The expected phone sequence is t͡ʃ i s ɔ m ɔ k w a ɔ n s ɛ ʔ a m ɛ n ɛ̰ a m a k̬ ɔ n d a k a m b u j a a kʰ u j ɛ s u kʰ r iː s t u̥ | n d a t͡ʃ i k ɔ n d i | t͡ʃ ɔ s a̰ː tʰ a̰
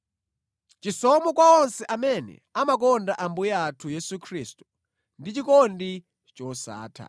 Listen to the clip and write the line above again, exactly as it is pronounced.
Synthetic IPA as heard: t͡ʃ i s ɔ m ɔ k w a ɔ n s ɛ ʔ a m ɛ n ɛ̰ a m a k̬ ɔ n d a ʔ a m b u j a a tʰ u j ɛ s u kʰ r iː s t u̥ | n d i t͡ʃ i k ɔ n d i | t͡ʃ ɔ s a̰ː tʰ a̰